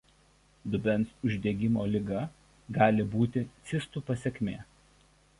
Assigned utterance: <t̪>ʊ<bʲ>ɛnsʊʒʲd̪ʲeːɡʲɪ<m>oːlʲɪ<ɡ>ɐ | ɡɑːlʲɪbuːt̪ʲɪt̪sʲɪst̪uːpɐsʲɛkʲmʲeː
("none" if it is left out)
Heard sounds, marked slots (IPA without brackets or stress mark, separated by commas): d̪, bʲ, m, ɡ